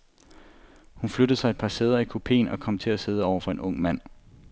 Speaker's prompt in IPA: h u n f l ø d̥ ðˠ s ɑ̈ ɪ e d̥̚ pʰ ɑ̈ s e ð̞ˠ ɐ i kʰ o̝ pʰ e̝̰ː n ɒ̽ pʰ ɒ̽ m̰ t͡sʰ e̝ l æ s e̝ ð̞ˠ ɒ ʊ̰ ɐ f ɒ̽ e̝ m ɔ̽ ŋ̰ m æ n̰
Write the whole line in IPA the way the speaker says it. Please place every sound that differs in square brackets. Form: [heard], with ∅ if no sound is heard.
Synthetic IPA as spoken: h u n f l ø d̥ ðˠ s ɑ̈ ɪ e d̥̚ pʰ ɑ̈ s e ð̞ˠ ɐ i kʰ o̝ pʰ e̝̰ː n ɒ̽ [kʰ] ɒ̽ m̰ t͡sʰ e̝ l æ s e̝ ð̞ˠ ɒ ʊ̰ ɐ f ɒ̽ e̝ [n] ɔ̽ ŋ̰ m æ n̰